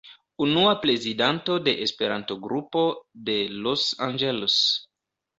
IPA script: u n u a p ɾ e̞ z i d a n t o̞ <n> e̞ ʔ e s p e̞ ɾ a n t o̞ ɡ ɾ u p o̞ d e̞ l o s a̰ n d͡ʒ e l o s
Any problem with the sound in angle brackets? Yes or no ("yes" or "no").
yes